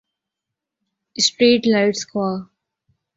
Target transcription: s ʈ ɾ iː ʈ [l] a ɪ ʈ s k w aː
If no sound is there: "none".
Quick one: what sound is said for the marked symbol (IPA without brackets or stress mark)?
l